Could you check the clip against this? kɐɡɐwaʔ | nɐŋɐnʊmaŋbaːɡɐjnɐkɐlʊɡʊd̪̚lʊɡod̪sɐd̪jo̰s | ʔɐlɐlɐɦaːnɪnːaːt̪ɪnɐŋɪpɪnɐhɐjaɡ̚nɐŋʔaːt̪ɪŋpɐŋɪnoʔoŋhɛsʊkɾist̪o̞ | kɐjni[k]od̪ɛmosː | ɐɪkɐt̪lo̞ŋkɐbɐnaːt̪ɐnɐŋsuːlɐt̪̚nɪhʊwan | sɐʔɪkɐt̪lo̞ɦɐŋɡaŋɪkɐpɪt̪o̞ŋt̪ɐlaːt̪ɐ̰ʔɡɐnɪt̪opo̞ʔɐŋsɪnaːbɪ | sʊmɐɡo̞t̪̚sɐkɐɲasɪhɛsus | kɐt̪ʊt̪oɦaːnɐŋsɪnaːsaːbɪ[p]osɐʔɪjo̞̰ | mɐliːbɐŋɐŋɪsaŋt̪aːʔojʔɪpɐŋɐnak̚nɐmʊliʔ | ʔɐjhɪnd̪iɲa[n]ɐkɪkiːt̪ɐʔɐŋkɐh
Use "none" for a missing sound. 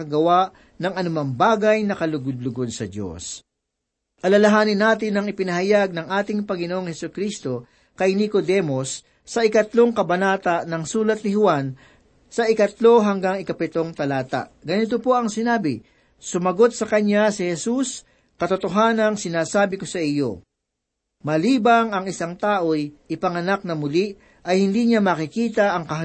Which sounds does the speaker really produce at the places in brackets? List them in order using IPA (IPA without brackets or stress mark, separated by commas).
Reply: k, k, m